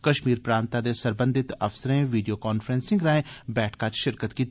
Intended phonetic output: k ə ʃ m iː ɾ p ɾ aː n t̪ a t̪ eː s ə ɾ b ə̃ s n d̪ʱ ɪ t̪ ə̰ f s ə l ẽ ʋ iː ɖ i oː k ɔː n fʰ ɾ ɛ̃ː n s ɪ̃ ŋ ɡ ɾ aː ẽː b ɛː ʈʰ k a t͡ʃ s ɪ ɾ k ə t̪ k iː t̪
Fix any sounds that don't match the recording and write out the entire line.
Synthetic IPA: k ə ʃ m iː ɾ p ɾ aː n t̪ a d̪ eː s ə ɾ b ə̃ n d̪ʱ ɪ t̪ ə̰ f s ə ɾ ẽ ʋ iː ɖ i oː k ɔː n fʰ ɾ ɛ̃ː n s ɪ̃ ŋ ɡ ɾ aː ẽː b ɛː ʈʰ k a t͡ʃ ʃ ɪ ɾ k ə t̪ k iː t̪